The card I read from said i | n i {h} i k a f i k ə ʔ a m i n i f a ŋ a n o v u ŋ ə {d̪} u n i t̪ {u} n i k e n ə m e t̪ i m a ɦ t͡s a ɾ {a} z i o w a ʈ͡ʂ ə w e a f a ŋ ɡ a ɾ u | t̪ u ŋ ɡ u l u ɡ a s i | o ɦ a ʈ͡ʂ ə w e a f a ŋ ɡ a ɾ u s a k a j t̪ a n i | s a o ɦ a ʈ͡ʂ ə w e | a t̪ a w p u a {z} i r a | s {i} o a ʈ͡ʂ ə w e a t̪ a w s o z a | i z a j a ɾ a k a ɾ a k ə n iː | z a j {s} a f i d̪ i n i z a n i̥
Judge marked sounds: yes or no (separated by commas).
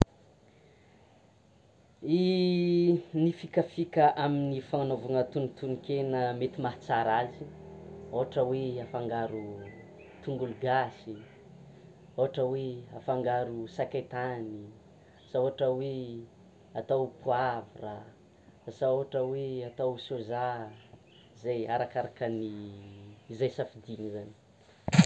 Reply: no, no, yes, yes, no, no, yes